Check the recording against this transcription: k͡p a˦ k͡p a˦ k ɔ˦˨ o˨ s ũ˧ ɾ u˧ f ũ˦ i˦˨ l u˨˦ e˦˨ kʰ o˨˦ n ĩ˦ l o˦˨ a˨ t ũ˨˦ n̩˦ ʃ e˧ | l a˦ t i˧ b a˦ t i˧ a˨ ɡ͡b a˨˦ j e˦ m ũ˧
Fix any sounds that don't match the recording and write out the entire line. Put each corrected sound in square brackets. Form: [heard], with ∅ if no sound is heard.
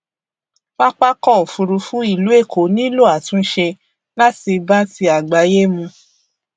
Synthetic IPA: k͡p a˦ k͡p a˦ k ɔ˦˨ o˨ [f] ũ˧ ɾ u˧ f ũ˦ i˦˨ l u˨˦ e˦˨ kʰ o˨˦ n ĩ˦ l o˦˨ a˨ t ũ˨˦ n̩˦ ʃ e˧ | l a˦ t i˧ b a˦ t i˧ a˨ ɡ͡b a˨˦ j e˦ m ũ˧